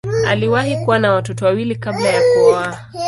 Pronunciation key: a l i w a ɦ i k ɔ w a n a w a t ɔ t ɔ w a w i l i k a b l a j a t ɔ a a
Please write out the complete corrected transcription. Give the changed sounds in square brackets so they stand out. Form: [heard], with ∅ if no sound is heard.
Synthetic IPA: a l i w a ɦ i k [u] w a n a w a t ɔ t ɔ w a w i l i k a b l a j a [k] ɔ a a

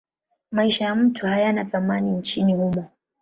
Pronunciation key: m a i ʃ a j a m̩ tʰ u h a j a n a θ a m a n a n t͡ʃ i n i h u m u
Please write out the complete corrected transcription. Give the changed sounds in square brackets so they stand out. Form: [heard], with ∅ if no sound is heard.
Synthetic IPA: m a i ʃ a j a m̩ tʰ u h a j a n a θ a m a n [i] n t͡ʃ i n i h u m [ɔ]

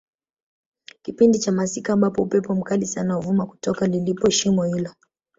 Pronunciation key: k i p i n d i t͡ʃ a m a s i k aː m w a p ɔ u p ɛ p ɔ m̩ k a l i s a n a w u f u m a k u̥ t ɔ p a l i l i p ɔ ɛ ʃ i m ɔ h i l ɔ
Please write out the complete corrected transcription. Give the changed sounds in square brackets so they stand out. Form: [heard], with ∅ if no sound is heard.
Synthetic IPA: k i p i n d i t͡ʃ a m a s i k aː m [b] a p ɔ u p ɛ p ɔ m̩ k a l i s a n a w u [v] u m a k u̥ t ɔ [k] a l i l i p ɔ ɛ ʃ i m ɔ h i l ɔ

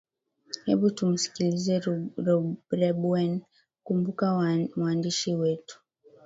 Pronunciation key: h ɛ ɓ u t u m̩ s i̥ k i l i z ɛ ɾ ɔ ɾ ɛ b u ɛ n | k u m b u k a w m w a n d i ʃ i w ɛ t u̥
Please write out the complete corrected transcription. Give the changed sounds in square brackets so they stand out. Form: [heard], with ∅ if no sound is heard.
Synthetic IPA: h ɛ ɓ u t u m̩ s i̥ k i l i z ɛ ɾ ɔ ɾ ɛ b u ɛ n | k u m b u k a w m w a n d i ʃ i w ɛ t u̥

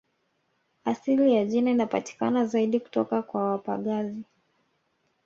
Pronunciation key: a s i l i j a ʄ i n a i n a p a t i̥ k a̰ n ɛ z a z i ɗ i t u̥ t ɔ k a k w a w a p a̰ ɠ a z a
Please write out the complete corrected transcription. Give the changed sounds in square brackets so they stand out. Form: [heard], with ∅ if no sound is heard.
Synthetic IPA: a s i l i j a ʄ i n a i n a p a t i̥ k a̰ n [a] z a [∅] i ɗ i [k] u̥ t ɔ k a k w a w a p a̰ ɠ a z [i]

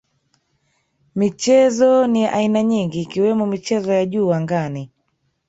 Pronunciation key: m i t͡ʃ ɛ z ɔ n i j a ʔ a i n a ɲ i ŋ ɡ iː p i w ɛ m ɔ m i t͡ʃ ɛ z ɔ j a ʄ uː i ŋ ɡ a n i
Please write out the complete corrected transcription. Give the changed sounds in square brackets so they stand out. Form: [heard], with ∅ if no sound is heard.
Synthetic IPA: m i t͡ʃ ɛ z ɔ n i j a ʔ a i n a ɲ i ŋ ɡ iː [k] i w ɛ m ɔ m i t͡ʃ ɛ z ɔ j a ʄ uː [a] ŋ ɡ a n i

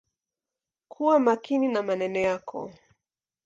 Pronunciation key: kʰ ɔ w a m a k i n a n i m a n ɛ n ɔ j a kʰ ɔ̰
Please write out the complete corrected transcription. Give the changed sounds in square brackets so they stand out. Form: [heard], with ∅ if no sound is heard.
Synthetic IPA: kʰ [u] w a m a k i n [i] n [a] m a n ɛ n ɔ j a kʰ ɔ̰

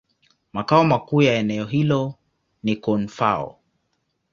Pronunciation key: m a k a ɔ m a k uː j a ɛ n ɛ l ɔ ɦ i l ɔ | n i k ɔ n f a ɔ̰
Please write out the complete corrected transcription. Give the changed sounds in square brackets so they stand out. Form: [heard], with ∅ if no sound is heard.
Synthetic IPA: m a k a ɔ m a k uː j a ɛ n ɛ [∅] ɔ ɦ i l ɔ | n i k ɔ n f a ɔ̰

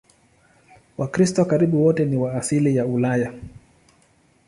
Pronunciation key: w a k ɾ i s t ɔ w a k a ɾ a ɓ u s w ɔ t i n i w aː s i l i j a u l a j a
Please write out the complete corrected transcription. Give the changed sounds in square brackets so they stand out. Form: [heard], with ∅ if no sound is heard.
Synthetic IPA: w a k ɾ i s t ɔ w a k a ɾ [i] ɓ u [∅] w ɔ t [ɛ] n i w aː s i l i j a u l a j a

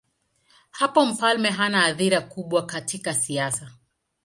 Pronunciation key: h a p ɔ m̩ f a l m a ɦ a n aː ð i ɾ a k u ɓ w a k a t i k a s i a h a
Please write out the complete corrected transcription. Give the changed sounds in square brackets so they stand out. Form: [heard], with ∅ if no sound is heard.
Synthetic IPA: h a p ɔ m̩ f a l m [ɛ] ɦ a n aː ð i ɾ a k u ɓ w a k a t i k a s i a [s] a

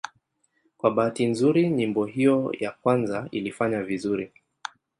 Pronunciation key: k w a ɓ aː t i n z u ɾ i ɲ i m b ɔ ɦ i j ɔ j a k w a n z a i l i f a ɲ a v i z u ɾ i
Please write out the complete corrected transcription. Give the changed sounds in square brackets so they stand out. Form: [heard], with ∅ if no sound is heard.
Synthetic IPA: k w a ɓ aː t i n z u ɾ i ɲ i m b ɔ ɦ i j ɔ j a k w a n z a i l i f a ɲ a v i z u ɾ i

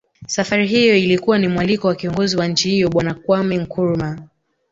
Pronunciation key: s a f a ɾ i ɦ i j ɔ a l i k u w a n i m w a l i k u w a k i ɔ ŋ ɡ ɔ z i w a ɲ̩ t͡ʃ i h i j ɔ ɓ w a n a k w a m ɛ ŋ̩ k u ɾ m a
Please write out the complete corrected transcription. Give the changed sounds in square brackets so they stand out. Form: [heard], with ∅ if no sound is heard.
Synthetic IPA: s a f a ɾ i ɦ i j ɔ [i] l i k u w a n i m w a l i k [ɔ] w a k i ɔ ŋ ɡ ɔ z i w a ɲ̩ t͡ʃ i h i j ɔ ɓ w a n a k w a m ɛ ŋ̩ k u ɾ m a

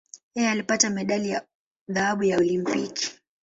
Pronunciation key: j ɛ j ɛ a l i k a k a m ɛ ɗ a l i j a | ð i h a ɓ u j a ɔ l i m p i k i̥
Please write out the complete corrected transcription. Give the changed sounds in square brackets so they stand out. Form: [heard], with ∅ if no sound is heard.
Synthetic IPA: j ɛ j ɛ a l i [p] a [t] a m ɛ ɗ a l i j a | ð [a] h a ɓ u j a ɔ l i m p i k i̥

